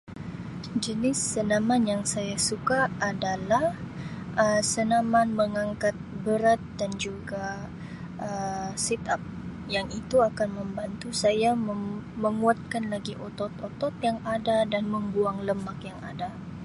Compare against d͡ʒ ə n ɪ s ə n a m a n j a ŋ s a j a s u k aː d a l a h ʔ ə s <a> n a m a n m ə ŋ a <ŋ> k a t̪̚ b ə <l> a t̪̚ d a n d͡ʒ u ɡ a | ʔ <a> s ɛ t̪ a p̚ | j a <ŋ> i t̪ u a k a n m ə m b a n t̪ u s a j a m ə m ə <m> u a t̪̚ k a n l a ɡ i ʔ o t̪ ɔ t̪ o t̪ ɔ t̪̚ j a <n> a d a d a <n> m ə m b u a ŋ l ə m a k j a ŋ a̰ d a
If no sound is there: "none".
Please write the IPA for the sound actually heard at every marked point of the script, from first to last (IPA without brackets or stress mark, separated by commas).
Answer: ə, ŋ, ɾ, ə, ŋ, ŋ, ŋ, n